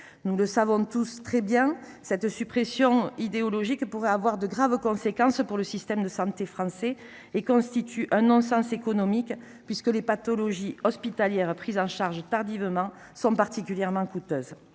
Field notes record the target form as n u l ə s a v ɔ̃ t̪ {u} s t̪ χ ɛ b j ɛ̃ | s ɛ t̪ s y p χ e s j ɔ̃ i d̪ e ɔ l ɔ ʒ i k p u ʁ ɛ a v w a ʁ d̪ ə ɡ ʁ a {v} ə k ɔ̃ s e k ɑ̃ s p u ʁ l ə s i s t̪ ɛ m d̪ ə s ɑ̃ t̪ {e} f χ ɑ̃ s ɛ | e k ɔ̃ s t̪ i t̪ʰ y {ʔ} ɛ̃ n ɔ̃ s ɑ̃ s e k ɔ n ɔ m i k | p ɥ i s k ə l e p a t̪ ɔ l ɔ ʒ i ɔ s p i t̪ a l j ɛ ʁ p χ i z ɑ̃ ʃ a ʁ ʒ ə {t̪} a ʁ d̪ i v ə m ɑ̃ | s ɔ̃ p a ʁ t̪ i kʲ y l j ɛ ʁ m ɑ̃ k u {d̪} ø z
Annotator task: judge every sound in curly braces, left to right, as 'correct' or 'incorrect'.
correct, correct, correct, correct, correct, incorrect: t̪

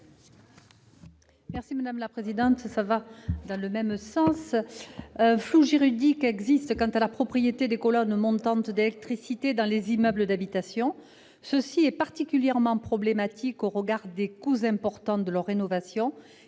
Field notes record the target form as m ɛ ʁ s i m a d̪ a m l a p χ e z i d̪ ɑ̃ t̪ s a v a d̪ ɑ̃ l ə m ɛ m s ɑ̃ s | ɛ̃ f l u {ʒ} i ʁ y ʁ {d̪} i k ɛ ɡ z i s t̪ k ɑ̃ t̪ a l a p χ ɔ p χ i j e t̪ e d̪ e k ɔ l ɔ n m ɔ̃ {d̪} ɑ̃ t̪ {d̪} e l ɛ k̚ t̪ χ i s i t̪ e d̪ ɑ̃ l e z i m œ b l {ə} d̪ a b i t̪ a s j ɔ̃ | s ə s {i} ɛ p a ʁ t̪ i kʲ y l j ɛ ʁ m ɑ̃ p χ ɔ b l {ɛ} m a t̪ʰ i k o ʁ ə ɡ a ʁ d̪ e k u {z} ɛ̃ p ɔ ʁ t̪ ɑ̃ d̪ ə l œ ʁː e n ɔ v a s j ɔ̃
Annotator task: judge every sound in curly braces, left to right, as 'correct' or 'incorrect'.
correct, correct, incorrect: t̪, correct, correct, correct, incorrect: e, correct

